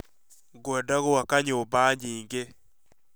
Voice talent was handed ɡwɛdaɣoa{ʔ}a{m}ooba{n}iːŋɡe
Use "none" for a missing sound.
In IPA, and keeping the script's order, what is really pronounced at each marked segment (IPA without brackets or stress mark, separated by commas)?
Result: k, ɲ, ɲ